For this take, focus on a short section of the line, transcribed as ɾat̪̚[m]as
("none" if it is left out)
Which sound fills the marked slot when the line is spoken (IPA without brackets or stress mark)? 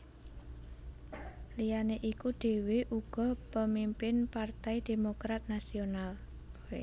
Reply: n